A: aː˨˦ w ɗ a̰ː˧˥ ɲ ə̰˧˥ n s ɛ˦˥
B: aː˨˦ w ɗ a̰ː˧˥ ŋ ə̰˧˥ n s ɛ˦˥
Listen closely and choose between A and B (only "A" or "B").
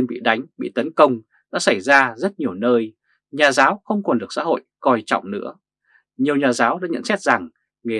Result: A